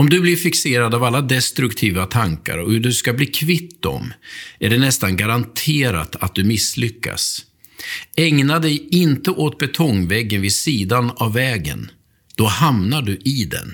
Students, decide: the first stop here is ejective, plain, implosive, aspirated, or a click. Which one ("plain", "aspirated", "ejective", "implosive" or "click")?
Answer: plain